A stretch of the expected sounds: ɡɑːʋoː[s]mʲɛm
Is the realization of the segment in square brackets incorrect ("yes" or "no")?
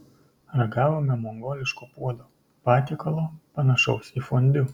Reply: yes